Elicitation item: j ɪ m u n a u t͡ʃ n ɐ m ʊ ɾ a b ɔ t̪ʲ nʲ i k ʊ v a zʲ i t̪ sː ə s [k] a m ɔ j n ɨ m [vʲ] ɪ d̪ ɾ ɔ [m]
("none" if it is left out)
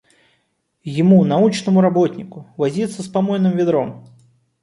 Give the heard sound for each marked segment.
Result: p, vʲ, m

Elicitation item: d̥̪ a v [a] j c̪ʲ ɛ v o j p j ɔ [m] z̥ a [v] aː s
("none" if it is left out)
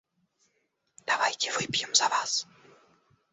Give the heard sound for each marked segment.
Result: a, m, v

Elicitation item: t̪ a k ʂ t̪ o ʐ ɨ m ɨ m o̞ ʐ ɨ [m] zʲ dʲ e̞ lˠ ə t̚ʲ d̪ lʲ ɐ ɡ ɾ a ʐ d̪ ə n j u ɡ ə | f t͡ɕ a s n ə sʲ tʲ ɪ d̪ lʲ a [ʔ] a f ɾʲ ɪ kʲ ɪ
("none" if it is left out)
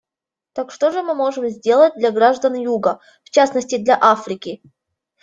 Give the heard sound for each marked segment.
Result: m, ʔ

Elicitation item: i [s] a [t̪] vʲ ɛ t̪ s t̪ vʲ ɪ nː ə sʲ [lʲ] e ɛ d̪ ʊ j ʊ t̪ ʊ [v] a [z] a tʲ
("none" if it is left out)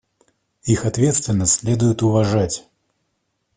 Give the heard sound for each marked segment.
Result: x, t̪, lʲ, v, ʐ

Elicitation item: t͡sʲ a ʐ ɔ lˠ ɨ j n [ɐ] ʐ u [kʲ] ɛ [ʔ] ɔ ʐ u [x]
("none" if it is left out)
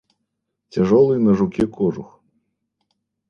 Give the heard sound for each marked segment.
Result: ɐ, kʲ, k, x

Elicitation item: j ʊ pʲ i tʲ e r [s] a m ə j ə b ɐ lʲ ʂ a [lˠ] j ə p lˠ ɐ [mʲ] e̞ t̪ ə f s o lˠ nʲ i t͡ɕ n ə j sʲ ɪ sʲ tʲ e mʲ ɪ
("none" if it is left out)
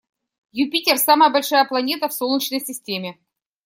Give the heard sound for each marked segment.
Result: s, none, nʲ

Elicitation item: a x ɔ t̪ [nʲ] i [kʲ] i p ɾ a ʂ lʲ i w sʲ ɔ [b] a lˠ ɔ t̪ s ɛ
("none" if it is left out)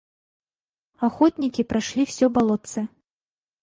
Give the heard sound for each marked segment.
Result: nʲ, kʲ, b

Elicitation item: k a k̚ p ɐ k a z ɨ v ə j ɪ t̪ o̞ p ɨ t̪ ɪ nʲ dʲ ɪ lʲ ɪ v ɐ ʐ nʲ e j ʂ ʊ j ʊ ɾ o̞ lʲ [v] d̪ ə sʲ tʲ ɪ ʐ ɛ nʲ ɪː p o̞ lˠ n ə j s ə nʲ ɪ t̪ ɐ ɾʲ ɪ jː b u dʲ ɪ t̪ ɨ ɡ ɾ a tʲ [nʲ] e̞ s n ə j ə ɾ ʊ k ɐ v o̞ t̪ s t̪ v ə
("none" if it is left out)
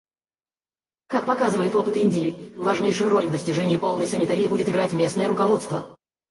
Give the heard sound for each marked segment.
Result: v, mʲ

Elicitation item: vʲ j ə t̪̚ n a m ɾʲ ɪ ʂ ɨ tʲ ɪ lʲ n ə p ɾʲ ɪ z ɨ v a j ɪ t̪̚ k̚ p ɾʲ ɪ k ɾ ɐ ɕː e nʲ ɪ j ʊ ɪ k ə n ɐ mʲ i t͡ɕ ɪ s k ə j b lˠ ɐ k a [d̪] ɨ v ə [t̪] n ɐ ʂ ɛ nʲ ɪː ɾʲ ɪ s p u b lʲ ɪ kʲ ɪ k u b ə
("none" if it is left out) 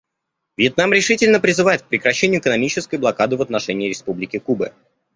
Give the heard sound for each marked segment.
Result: d̪, t̪

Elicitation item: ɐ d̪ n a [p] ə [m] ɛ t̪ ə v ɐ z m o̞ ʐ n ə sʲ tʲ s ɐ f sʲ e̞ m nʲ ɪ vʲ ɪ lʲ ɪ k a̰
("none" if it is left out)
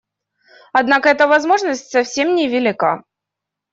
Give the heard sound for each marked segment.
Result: k, none

